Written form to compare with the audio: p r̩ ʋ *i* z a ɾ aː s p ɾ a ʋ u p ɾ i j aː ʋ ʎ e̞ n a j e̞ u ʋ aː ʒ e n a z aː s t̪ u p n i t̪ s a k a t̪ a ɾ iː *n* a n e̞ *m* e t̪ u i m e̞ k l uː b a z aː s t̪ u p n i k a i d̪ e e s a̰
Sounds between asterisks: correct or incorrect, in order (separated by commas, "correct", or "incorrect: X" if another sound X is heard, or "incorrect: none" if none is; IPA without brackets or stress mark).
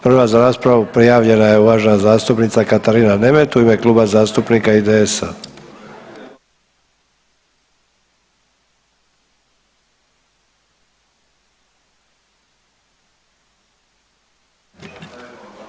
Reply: incorrect: a, correct, correct